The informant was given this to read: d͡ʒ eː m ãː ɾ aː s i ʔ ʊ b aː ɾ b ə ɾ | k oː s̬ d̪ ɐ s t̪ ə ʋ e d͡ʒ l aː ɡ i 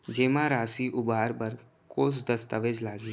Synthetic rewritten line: d͡ʒ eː m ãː ɾ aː s i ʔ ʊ b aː ɾ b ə ɾ | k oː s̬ d̪ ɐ s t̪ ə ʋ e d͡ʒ l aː ɡ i